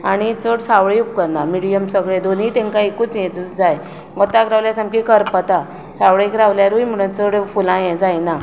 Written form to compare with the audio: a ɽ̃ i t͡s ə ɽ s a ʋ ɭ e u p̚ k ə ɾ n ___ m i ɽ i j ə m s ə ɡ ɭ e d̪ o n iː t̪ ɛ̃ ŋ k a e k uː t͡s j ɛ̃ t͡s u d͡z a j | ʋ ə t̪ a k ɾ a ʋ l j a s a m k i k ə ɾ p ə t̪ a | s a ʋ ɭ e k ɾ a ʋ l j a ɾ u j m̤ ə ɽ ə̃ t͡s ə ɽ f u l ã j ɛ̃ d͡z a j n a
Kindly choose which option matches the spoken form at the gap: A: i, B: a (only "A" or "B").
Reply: B